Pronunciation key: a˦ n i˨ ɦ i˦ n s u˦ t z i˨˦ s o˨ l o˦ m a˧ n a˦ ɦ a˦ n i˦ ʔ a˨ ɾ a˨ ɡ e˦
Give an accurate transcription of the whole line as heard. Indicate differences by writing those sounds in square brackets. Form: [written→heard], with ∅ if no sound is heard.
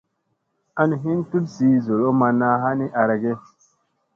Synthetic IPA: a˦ n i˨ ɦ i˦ n [s→t] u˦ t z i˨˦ [s→z] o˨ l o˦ m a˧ n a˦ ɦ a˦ n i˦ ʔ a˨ ɾ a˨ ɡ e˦

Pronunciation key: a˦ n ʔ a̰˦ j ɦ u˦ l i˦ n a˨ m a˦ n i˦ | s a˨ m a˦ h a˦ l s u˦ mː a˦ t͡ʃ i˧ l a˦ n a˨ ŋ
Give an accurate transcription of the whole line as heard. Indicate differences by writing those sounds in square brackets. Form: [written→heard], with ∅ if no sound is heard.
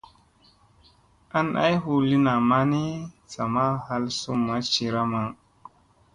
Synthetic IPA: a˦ n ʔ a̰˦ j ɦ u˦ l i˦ n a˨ m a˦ n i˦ | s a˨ m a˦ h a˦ l s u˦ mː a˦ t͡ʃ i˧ [l→ɾ] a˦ [n→m] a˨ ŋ

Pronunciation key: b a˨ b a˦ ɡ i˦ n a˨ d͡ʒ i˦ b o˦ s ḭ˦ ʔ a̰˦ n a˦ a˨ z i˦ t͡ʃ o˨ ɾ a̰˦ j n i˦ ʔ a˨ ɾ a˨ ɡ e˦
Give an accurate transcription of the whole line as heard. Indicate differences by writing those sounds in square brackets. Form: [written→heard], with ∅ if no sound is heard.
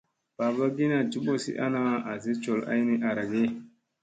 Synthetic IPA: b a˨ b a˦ ɡ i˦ n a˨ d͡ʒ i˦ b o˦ s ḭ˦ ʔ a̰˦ n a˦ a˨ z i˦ t͡ʃ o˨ [ɾ→l] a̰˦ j n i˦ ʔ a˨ ɾ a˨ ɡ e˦

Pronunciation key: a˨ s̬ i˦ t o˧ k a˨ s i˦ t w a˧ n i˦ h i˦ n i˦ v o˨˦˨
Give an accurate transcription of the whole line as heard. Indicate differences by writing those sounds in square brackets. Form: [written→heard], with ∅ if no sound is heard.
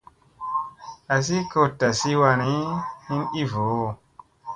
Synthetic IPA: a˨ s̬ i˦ [t→k] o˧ [k→t] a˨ s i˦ [t→∅] w a˧ n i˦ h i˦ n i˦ v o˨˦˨

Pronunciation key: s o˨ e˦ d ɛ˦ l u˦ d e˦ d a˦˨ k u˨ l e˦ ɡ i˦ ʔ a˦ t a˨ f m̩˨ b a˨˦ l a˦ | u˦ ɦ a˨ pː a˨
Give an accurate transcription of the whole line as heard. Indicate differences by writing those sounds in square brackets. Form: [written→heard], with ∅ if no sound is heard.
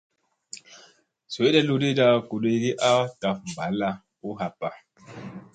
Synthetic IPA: s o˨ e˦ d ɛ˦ l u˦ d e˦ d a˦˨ k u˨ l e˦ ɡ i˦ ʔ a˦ t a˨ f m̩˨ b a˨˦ l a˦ | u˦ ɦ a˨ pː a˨

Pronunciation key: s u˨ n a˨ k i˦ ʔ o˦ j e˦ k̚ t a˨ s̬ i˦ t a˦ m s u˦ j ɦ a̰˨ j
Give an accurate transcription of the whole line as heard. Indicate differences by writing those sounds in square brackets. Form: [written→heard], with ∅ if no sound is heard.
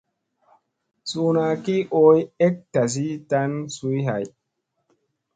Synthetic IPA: s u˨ n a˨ k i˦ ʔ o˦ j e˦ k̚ t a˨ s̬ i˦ t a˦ [m→n] s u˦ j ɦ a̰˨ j

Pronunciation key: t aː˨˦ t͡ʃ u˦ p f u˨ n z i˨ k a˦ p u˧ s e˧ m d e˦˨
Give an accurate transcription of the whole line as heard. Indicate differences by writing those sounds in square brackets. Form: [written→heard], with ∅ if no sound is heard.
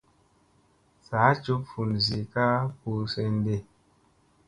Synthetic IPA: [t→s] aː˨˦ t͡ʃ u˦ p f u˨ n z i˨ k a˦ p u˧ s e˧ [m→n] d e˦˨

